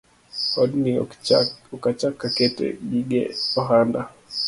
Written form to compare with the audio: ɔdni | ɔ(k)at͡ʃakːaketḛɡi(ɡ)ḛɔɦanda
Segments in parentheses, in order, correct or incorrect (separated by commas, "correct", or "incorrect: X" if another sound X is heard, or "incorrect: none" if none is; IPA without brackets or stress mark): correct, correct